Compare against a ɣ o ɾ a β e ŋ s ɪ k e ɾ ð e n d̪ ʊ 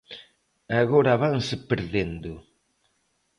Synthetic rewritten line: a ɣ o ɾ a β a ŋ s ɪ p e ɾ ð e n d̪ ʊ